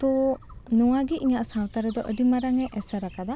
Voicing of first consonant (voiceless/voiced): voiceless